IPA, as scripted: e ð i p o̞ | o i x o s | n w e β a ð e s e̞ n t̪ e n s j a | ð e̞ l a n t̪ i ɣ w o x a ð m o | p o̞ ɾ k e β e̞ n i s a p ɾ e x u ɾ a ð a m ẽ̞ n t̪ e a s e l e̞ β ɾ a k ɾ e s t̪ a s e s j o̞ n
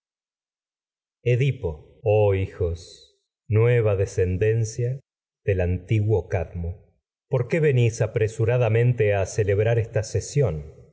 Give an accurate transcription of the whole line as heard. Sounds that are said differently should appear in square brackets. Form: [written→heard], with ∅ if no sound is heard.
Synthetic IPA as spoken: e ð i p o̞ | o i x o s | n w e β a ð e s e̞ n [t̪→d̪] e n s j a | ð e̞ l a n t̪ i ɣ w o [x→k] a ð m o | p o̞ ɾ k e β e̞ n i s a p ɾ e [x→s] u ɾ a ð a m ẽ̞ n t̪ e a s e l e̞ β ɾ a [k→∅] ɾ e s t̪ a s e s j o̞ n